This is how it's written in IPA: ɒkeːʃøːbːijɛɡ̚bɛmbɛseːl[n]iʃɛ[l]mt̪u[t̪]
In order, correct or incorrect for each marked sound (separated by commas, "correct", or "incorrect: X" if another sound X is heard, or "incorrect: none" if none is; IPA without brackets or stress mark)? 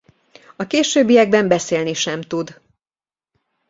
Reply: correct, incorrect: none, incorrect: d̪